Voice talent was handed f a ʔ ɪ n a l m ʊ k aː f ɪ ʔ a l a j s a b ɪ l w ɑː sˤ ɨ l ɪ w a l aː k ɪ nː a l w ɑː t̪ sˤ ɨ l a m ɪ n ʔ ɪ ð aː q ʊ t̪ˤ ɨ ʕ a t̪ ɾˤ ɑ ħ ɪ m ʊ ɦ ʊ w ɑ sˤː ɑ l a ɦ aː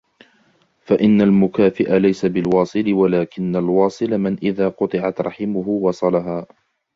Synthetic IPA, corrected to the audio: f a ʔ ɪ nː a l m ʊ k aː f ɪ ʔ a l a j s a b ɪ l w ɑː sˤ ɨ l ɪ w a l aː k ɪ nː a l w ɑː sˤ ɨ l a m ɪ n ʔ ɪ ð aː q ʊ t̪ˤ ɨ ʕ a t̪ ɾˤ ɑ ħ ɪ m ʊ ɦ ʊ w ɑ sˤ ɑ l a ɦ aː